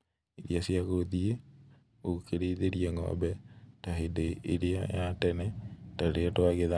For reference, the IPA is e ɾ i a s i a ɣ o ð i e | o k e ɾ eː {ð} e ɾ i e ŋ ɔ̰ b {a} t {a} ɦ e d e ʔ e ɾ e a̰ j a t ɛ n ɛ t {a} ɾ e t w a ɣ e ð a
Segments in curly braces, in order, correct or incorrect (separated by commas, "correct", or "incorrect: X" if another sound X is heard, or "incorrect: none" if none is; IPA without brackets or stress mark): correct, incorrect: ɛ, correct, correct